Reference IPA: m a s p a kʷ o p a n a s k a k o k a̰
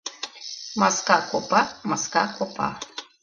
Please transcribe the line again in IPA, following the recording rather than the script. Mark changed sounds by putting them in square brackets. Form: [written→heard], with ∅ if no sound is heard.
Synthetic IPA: m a s [p→k] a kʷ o p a [n→m] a s k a k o [k→p] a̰